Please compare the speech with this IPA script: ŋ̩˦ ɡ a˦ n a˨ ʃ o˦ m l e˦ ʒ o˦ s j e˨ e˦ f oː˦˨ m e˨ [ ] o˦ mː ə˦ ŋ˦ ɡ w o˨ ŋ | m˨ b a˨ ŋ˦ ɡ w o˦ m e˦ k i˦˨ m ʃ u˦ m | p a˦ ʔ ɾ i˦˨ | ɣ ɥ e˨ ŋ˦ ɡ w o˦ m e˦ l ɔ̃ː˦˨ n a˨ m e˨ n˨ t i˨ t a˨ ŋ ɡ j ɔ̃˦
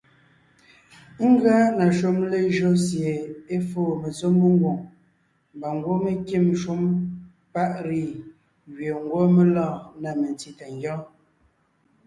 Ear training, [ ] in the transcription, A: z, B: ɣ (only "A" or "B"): A